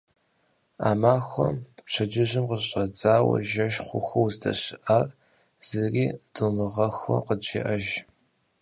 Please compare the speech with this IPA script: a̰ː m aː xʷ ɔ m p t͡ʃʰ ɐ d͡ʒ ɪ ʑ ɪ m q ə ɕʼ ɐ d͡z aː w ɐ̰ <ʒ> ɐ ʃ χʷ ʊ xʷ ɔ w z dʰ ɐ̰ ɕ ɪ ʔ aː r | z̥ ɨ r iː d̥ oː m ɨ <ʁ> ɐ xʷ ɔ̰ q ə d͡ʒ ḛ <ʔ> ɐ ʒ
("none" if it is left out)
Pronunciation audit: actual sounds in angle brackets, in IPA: ʒ, ʁ, ʔ

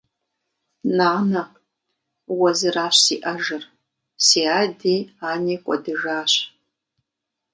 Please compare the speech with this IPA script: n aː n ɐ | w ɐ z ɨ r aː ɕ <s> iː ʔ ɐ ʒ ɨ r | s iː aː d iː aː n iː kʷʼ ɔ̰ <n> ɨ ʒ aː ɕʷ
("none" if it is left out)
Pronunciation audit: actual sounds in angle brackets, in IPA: s, d

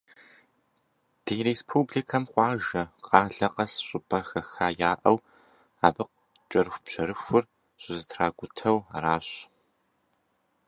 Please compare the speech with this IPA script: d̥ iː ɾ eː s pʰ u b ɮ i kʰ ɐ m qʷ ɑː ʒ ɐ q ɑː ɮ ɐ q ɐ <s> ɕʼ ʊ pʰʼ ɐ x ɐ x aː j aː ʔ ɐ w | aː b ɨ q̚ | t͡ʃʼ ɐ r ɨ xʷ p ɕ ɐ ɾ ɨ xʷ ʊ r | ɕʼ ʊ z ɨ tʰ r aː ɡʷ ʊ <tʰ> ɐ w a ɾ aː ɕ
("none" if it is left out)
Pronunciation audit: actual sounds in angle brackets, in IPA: s, tʰ

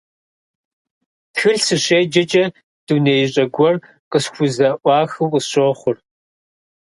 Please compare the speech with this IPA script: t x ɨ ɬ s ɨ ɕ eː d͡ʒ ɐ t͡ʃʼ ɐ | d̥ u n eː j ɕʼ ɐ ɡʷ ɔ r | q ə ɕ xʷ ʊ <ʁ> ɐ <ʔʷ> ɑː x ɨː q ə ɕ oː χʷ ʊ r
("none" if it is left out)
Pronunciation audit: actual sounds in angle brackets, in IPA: z, ʔʷ

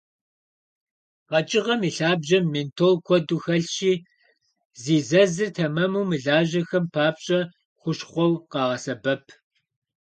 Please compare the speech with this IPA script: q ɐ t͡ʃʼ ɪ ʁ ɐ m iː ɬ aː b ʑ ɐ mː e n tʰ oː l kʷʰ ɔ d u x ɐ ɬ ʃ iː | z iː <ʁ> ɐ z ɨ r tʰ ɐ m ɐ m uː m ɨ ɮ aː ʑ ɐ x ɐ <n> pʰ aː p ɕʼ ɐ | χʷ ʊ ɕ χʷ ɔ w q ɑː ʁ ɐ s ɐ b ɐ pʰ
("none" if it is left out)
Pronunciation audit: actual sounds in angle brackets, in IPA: z, m

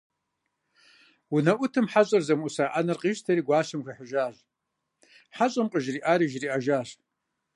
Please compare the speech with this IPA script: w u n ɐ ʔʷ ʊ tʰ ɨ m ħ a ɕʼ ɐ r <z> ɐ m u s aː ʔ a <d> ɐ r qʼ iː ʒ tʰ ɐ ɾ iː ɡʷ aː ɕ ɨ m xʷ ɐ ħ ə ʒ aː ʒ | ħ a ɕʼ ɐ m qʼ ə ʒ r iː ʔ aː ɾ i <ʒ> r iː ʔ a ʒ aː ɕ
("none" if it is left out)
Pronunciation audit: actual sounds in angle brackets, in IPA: z, n, ʒ

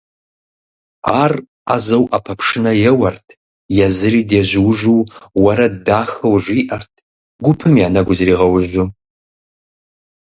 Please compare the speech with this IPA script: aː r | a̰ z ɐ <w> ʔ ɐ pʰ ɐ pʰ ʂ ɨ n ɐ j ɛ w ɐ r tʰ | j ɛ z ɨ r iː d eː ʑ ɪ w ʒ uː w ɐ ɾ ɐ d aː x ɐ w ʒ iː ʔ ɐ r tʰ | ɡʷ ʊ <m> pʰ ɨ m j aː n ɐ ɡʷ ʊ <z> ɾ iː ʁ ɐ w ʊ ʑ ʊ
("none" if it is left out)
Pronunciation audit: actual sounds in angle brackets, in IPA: w, none, z

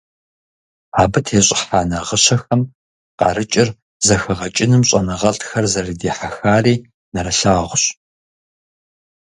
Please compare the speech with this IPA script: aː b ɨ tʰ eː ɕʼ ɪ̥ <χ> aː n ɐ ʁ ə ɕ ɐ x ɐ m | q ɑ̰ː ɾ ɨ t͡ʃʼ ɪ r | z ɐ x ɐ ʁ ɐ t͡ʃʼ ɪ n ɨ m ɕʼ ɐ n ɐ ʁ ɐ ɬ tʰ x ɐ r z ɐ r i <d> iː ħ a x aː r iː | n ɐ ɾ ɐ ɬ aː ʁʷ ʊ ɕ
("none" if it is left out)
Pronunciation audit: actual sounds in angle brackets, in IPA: ħ, d

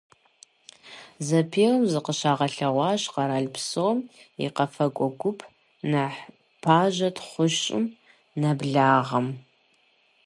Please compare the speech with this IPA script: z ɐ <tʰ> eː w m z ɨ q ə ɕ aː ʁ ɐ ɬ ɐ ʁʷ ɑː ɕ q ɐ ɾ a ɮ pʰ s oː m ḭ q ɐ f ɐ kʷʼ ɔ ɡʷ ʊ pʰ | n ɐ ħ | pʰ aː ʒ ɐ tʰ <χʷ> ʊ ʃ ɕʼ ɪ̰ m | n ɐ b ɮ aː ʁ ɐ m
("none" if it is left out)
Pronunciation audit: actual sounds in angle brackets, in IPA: pʰ, χʷ

